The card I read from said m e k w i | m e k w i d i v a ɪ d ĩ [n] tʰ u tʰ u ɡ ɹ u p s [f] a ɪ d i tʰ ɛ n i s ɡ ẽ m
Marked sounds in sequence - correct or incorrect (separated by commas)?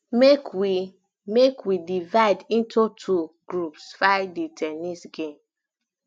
correct, correct